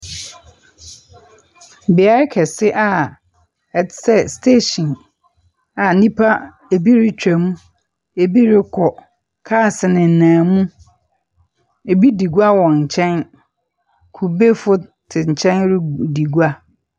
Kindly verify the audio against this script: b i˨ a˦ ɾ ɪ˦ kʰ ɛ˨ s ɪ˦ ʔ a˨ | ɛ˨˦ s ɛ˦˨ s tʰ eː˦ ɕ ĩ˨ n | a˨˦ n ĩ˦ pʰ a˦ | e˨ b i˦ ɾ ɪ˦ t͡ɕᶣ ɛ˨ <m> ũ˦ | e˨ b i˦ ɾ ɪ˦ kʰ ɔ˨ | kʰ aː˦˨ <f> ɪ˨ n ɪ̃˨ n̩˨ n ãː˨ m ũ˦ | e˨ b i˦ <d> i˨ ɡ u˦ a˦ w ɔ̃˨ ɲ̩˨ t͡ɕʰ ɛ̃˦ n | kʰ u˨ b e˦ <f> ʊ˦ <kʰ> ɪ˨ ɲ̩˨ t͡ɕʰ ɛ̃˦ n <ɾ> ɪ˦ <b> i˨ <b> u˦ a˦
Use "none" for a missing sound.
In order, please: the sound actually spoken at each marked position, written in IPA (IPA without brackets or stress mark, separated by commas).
m, s, d, f, tʰ, ɾ, d, ɡ